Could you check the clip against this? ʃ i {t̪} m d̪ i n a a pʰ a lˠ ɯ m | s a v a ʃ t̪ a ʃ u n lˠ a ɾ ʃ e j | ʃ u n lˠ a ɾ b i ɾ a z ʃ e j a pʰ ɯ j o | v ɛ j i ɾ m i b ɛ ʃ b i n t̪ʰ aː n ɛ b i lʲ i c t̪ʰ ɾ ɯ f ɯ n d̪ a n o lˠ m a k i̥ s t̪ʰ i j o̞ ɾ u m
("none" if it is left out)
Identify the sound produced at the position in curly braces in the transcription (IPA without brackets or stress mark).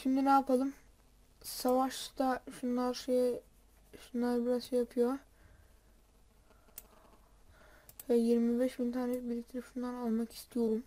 none